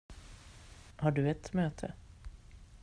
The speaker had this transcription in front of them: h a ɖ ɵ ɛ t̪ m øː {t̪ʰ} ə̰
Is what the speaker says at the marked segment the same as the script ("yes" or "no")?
yes